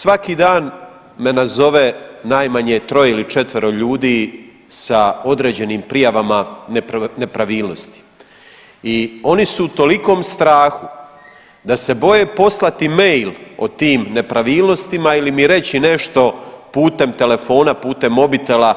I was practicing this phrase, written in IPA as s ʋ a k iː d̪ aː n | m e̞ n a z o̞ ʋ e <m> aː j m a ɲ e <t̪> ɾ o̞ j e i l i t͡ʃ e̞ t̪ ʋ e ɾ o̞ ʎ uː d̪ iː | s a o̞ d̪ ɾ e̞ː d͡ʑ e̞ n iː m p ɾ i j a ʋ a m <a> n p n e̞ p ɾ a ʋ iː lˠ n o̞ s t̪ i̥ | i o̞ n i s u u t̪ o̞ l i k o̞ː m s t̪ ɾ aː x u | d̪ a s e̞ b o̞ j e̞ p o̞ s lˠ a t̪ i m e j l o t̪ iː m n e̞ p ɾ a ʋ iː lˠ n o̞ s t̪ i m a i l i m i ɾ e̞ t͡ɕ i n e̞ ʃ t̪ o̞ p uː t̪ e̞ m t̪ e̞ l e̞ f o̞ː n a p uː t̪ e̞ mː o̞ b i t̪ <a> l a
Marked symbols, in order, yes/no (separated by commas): no, yes, yes, no